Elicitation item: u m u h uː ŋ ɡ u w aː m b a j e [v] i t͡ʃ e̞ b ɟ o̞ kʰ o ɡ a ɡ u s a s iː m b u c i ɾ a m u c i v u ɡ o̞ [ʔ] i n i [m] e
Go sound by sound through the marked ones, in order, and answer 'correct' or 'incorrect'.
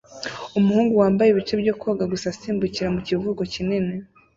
incorrect, incorrect, incorrect

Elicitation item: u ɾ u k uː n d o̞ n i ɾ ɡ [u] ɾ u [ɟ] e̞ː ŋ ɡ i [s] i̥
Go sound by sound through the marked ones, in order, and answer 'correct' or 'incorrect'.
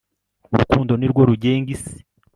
incorrect, correct, correct

